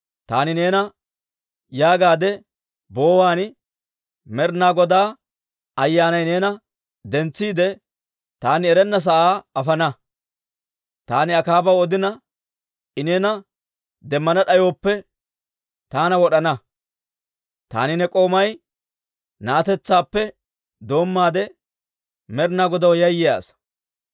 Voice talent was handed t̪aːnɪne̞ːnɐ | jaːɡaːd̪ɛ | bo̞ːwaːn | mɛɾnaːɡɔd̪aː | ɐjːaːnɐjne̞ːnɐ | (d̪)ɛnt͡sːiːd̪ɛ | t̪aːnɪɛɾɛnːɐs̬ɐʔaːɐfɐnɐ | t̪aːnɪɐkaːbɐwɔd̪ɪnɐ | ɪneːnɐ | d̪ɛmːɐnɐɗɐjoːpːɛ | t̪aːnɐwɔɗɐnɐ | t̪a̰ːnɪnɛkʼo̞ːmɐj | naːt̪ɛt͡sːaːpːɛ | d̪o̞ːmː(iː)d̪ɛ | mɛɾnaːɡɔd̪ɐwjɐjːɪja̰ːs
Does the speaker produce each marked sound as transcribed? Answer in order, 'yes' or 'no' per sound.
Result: yes, no

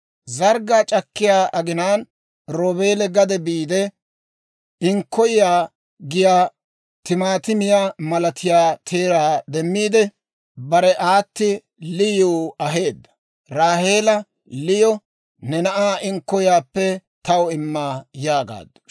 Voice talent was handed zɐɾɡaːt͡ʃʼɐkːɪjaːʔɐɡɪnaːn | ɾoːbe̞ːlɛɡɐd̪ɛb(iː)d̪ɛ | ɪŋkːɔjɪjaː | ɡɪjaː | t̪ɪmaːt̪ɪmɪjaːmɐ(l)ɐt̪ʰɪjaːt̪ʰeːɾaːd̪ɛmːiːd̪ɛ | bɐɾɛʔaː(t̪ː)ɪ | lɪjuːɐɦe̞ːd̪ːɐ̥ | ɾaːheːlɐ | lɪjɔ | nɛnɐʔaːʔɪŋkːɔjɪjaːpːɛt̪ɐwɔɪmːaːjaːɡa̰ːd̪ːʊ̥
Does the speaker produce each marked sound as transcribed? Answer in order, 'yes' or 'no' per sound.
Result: yes, yes, yes

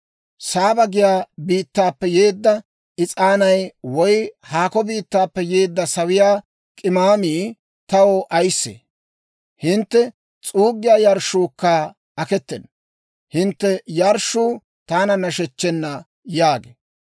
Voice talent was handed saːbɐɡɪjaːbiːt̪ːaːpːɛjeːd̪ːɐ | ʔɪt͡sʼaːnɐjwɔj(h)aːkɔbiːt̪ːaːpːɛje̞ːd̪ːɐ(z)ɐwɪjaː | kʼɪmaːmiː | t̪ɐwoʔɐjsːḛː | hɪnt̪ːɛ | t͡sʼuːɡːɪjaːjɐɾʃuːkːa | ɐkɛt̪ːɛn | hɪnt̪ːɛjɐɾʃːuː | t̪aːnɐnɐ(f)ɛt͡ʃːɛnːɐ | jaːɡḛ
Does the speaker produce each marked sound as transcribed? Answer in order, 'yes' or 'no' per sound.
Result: yes, no, no

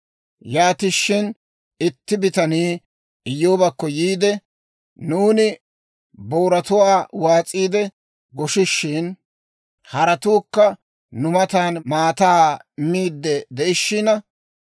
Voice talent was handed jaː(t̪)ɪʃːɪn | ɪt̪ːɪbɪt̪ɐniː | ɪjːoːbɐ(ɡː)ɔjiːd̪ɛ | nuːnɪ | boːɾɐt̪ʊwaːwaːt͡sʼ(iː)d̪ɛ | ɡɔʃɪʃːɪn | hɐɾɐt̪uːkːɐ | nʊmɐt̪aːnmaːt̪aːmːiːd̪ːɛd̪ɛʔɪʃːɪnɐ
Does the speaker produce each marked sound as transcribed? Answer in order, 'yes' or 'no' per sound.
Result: yes, no, yes

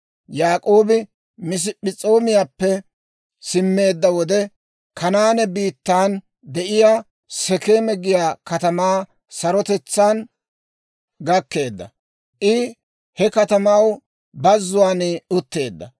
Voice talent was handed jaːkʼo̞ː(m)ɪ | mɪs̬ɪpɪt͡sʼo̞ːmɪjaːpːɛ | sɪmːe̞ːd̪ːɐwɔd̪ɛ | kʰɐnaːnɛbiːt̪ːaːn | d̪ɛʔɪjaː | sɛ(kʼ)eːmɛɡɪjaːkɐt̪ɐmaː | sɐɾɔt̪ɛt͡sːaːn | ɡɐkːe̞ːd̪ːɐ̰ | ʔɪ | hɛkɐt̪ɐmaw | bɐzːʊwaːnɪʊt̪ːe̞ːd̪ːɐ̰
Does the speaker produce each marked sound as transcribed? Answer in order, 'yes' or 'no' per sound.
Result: no, no

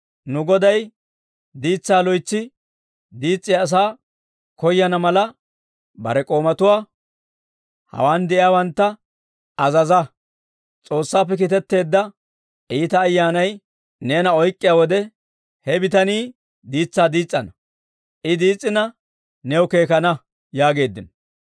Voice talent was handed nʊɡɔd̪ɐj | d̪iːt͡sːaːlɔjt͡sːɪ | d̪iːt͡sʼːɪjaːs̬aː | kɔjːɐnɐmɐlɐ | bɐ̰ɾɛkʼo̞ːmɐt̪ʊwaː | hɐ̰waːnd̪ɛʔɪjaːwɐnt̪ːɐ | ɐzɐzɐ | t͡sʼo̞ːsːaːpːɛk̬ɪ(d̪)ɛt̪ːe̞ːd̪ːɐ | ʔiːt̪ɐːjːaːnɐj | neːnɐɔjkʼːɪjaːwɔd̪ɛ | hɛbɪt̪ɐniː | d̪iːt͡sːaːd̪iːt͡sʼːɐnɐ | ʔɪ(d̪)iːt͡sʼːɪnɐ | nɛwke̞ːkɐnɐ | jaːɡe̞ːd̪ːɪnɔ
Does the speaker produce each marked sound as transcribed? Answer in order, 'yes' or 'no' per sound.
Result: no, yes

